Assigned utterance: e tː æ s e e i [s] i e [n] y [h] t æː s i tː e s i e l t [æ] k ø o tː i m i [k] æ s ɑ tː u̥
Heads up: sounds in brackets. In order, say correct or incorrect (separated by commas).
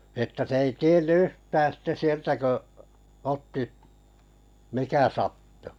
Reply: incorrect, incorrect, correct, correct, correct